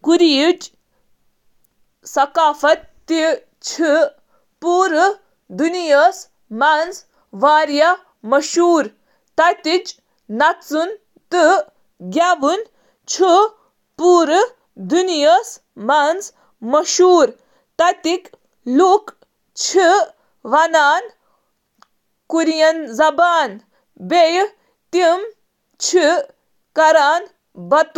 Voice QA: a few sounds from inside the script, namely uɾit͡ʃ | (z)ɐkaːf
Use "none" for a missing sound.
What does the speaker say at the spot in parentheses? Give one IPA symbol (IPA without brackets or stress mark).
s